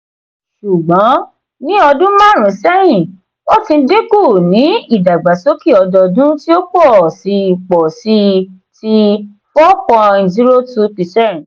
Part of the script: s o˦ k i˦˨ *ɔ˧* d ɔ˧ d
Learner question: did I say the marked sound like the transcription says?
yes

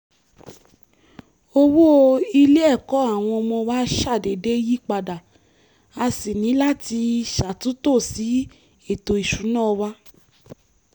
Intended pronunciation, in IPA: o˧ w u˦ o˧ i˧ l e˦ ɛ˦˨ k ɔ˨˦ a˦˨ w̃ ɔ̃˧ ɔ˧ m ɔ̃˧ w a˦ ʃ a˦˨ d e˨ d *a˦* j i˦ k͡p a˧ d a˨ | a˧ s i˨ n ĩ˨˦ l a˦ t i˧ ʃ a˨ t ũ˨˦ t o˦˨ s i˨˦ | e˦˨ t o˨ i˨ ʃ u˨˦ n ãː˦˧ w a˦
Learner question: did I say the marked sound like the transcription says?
no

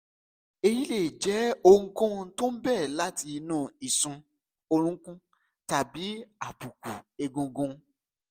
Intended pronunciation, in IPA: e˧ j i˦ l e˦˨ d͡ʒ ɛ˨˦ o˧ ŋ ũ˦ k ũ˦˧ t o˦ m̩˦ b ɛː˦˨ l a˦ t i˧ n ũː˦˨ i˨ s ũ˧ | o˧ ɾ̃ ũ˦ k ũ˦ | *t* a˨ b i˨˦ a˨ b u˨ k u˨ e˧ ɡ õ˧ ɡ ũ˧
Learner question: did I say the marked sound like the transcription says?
yes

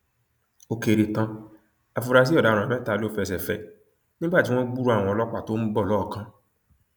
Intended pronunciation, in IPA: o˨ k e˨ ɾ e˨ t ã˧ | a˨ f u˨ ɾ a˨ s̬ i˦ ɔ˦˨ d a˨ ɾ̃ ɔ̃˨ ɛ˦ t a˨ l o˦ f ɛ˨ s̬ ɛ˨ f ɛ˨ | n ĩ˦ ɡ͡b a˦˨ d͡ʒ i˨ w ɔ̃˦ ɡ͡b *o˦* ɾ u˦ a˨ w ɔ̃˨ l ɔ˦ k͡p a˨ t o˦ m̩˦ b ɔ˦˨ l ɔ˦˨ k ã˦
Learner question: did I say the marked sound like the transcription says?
no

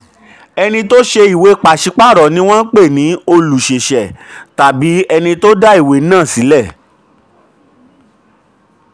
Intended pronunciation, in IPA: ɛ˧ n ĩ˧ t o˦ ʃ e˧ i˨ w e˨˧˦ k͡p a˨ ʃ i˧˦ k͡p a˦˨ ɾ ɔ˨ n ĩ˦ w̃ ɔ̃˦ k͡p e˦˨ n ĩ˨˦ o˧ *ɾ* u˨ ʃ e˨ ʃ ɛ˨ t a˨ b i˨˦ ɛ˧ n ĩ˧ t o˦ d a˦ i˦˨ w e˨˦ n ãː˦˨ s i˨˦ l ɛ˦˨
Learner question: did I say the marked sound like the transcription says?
no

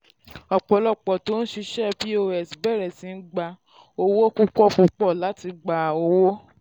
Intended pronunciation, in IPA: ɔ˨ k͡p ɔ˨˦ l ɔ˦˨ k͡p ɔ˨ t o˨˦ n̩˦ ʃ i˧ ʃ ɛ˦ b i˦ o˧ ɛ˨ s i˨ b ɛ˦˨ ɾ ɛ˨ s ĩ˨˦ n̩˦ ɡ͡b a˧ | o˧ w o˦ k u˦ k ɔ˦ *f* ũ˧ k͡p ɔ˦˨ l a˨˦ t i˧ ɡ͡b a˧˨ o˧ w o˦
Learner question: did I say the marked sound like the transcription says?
yes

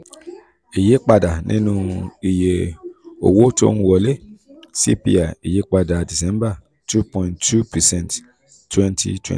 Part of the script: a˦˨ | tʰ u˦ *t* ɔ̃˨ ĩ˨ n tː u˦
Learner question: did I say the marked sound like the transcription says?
no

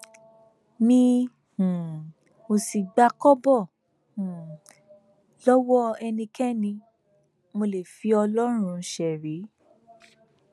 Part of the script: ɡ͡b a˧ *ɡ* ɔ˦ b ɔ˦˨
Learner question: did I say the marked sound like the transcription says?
no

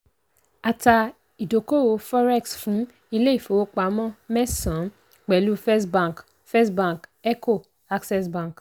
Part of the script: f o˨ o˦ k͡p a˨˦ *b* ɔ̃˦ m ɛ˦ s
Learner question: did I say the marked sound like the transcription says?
no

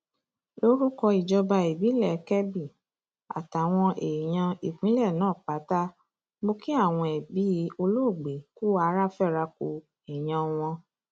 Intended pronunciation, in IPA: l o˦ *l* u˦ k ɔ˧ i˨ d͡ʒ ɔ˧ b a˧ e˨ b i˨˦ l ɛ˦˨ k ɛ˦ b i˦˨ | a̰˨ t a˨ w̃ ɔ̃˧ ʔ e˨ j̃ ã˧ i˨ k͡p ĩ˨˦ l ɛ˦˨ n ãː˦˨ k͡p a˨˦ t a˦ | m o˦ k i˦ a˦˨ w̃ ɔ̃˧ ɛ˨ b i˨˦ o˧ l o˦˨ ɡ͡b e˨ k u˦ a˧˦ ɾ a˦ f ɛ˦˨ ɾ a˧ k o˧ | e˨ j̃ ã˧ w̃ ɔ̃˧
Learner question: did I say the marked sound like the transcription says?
no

